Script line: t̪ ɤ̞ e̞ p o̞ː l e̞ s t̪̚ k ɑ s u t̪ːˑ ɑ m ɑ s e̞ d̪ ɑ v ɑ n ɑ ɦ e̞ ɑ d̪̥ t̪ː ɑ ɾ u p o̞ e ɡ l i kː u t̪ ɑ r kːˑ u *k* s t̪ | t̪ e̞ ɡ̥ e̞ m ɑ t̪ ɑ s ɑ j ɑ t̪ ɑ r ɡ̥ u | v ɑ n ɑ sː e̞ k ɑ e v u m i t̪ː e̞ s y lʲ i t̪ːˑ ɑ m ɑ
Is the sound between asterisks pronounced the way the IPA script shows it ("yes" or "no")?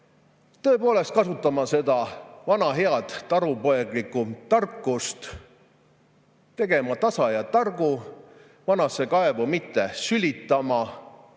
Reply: no